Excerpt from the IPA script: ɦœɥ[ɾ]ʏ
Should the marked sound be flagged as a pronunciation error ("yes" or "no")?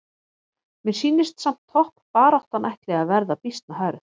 no